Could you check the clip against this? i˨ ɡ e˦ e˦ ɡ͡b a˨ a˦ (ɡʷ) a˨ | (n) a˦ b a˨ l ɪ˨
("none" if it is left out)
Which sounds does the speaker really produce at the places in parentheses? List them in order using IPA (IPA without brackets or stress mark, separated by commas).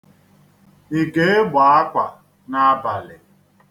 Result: kʷ, n